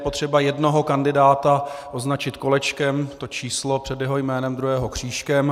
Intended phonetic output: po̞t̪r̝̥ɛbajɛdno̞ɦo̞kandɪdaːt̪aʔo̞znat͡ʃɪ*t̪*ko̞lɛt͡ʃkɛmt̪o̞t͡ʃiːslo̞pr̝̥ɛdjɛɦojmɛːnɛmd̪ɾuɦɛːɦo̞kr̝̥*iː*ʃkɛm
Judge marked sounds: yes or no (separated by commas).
yes, yes